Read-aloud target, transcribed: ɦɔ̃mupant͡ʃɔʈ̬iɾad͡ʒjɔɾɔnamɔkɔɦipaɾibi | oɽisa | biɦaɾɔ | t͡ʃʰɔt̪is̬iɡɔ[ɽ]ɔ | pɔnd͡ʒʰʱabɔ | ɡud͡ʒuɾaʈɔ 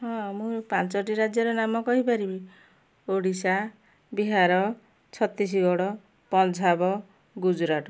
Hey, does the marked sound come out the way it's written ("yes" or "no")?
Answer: yes